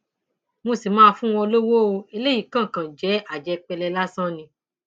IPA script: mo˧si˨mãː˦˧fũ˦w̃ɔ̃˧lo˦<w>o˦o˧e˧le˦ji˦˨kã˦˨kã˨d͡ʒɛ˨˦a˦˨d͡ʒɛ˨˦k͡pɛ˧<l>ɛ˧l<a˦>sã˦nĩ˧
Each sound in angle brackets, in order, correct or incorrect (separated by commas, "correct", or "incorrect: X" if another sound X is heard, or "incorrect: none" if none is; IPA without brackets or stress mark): correct, correct, correct